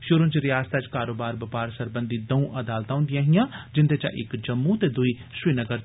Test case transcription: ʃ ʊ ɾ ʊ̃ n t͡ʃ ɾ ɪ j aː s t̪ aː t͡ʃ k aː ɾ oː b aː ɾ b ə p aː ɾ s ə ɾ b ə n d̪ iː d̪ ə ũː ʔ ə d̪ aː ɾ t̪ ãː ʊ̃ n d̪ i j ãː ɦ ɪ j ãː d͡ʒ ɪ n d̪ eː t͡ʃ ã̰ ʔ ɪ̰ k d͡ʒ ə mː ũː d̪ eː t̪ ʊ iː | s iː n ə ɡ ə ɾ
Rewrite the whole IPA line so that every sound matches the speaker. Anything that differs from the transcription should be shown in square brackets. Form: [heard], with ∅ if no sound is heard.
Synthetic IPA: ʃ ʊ ɾ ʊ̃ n t͡ʃ ɾ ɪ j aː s t̪ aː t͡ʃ k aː ɾ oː b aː ɾ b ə p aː ɾ s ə ɾ b ə n d̪ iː d̪ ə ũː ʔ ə d̪ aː [l] t̪ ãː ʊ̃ n d̪ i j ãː ɦ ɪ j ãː d͡ʒ ɪ n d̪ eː t͡ʃ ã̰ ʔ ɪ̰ k d͡ʒ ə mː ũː [t̪] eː [d̪] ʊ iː | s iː n ə ɡ ə ɾ

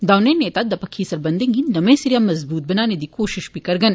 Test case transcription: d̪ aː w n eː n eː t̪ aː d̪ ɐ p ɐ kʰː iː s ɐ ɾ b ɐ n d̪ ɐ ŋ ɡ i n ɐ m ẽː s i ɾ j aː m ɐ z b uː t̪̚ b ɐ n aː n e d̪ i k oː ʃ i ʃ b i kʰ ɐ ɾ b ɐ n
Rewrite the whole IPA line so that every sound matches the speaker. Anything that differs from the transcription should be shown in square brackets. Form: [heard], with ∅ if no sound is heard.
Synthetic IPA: d̪ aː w n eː n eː t̪ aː d̪ ɐ p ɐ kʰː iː s ɐ ɾ b ɐ n d̪ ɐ ŋ ɡ i n ɐ m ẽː s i ɾ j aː m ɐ z b uː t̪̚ b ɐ n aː n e d̪ i k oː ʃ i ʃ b i [k] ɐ ɾ [ɡ] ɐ n

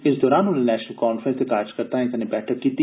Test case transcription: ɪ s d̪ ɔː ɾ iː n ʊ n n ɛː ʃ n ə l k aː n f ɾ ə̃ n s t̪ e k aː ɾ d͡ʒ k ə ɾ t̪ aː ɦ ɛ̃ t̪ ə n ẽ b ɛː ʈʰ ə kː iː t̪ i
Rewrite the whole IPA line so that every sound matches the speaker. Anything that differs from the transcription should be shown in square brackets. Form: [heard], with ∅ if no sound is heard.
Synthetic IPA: ɪ s d̪ ɔː ɾ [aː] n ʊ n n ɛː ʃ n ə l k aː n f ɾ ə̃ n s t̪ e k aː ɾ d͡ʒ k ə ɾ t̪ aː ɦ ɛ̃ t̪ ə n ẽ b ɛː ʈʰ ə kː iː t̪ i

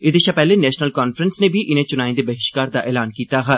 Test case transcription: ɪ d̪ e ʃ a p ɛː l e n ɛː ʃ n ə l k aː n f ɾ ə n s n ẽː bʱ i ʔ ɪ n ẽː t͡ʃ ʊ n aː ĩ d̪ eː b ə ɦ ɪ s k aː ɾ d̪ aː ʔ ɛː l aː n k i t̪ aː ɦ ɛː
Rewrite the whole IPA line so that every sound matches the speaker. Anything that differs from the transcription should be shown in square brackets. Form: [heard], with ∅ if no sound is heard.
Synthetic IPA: ɪ d̪ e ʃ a p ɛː l e n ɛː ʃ n ə l k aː n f ɾ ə n s n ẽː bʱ i ʔ ɪ n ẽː t͡ʃ ʊ n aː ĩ d̪ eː b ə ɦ ɪ [ʃ] k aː ɾ d̪ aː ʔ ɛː l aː n k [iː] t̪ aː ɦ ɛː

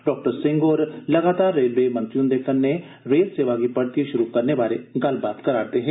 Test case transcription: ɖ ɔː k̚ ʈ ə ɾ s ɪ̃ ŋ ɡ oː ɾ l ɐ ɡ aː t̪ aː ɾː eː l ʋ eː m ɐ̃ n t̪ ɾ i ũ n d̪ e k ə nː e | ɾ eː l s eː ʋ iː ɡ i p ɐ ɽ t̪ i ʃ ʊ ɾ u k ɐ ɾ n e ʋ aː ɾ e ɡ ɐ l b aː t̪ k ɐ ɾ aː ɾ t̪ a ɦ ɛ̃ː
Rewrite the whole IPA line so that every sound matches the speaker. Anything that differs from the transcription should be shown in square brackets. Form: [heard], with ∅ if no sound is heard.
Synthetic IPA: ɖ ɔː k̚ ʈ ə ɾ s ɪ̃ ŋ ɡ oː ɾ l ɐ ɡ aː t̪ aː ɾː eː l ʋ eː m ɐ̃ n t̪ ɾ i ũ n d̪ e k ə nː e | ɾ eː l s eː ʋ [aː] ɡ i p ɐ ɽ t̪ i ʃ ʊ ɾ u k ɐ ɾ n e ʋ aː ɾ e ɡ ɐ l b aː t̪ k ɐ ɾ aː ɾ t̪ [e] ɦ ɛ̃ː

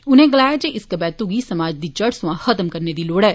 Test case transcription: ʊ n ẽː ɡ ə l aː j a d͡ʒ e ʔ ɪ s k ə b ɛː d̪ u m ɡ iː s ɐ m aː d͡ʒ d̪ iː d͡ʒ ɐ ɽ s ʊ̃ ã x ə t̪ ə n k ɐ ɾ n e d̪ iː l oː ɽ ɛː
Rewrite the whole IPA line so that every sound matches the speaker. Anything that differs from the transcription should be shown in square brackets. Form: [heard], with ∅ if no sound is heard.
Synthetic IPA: ʊ n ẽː ɡ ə l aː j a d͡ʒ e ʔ ɪ s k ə b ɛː [t̪] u [∅] ɡ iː s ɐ m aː d͡ʒ d̪ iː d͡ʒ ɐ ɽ s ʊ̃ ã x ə t̪ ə [m] k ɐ ɾ n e d̪ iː l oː ɽ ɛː

